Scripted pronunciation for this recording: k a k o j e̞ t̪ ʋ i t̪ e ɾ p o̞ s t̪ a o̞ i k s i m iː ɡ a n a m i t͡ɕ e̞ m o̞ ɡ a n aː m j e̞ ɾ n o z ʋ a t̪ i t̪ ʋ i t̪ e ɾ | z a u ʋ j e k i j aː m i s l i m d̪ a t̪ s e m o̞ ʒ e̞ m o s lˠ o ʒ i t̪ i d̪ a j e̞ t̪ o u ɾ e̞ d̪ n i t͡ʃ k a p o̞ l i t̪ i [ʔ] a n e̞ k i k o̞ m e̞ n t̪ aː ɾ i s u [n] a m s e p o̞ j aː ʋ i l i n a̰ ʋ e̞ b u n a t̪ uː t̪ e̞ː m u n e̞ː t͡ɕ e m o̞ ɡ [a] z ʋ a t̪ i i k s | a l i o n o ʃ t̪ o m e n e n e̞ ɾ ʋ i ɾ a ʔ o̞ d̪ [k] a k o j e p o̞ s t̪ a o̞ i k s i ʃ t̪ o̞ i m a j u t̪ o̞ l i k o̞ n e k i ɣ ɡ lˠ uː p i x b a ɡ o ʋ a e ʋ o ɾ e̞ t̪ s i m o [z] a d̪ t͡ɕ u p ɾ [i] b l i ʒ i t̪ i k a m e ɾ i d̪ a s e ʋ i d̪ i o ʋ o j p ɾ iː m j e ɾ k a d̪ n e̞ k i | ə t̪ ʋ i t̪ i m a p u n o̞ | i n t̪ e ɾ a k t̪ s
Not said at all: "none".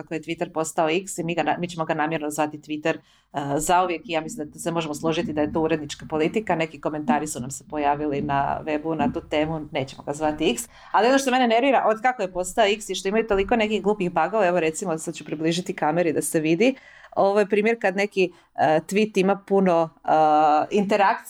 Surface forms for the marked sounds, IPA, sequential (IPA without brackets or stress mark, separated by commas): k, n, a, k, s, i